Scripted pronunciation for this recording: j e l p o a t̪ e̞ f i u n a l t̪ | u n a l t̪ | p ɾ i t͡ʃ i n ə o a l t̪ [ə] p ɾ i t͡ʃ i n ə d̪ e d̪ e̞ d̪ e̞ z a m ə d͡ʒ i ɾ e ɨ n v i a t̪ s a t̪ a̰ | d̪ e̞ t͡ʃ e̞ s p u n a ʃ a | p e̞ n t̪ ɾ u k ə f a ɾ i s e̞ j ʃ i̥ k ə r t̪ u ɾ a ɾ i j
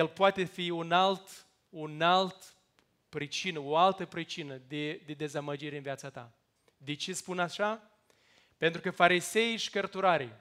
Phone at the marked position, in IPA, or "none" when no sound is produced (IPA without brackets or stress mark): ə